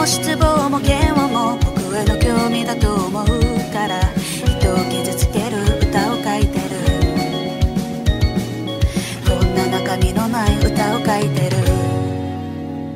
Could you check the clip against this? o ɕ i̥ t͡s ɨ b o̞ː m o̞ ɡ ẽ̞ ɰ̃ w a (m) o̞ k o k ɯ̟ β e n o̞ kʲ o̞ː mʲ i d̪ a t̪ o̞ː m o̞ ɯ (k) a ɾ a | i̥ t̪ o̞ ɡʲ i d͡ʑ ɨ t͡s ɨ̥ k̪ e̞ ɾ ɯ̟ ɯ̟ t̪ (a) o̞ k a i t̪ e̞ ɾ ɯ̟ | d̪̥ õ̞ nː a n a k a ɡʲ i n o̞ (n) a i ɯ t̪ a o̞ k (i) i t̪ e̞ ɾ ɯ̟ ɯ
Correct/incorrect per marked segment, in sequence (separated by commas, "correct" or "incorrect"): correct, correct, correct, correct, incorrect